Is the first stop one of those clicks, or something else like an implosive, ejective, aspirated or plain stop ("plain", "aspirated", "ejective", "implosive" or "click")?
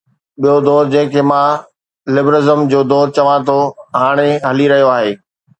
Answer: implosive